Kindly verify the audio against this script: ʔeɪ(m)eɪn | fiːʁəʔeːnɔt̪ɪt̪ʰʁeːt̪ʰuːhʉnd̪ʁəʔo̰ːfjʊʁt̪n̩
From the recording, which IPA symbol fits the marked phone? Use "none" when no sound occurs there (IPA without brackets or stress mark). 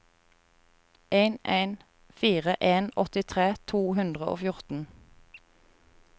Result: n